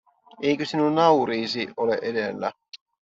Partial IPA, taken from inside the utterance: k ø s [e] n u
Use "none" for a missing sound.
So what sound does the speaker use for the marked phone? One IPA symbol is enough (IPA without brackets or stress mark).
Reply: i